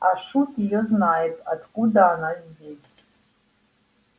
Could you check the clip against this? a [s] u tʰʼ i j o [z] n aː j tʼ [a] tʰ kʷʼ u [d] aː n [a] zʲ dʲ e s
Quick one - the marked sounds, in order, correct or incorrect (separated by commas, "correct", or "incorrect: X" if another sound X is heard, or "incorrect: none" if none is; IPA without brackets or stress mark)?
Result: incorrect: ʂ, correct, correct, correct, correct